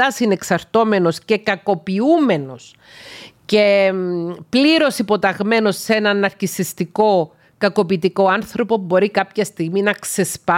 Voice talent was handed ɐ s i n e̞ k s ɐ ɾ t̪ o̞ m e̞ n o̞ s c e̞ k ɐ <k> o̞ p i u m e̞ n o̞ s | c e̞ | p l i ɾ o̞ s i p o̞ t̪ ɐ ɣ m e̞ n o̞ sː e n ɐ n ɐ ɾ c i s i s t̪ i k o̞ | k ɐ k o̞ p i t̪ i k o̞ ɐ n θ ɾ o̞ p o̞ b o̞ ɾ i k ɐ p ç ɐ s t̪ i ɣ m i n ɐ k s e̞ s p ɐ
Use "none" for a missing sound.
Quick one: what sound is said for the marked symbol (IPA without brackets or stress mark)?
k